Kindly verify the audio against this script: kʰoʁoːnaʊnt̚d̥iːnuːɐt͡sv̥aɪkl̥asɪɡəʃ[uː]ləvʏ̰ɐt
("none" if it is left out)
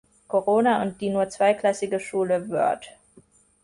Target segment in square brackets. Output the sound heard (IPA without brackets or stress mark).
uː